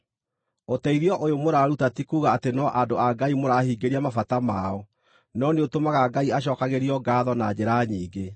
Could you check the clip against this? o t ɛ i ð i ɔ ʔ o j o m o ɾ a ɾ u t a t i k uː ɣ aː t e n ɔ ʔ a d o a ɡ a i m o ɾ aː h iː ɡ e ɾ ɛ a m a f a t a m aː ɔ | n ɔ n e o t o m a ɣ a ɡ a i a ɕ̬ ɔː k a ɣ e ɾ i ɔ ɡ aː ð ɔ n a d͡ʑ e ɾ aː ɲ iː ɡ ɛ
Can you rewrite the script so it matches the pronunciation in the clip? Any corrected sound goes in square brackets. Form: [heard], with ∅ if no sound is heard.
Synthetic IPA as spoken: o t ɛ i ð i ɔ ʔ o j o m o ɾ a ɾ u t a t i k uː ɣ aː t e n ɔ ʔ a d o a ɡ a i m o ɾ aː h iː ɡ e ɾ [i] a m a f a t a m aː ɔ | n ɔ n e o t o m a ɣ a ɡ a i a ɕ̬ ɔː k a ɣ e ɾ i ɔ ɡ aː ð ɔ n a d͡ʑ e ɾ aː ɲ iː ɡ [e]